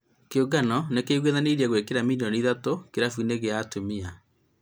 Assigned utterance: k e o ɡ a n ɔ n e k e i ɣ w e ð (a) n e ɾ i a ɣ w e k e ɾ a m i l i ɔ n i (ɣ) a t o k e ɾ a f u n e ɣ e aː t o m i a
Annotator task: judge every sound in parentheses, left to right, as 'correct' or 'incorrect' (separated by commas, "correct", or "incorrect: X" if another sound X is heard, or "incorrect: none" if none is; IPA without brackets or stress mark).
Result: correct, incorrect: ð